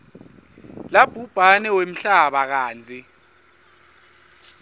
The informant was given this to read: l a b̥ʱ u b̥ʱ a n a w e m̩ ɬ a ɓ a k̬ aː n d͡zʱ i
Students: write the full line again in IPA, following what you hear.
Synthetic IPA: l a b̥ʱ u b̥ʱ a n ɛ w e m̩ ɬ a ɓ a k̬ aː n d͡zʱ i